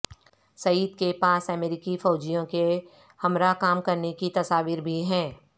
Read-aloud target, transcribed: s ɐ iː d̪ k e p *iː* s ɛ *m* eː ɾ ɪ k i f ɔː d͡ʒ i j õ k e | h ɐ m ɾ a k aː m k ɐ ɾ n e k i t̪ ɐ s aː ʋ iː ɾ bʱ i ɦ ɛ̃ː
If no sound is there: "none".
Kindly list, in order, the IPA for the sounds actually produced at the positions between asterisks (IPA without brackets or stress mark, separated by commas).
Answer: aː, m